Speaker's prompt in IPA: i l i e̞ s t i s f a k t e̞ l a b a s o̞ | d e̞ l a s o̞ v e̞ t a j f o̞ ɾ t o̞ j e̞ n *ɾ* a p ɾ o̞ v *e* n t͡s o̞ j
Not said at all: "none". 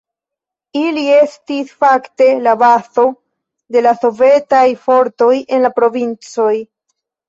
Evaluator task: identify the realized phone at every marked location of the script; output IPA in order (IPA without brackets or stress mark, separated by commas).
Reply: l, i